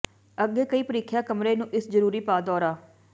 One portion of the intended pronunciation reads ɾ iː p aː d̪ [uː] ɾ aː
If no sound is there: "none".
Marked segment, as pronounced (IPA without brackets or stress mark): ɔː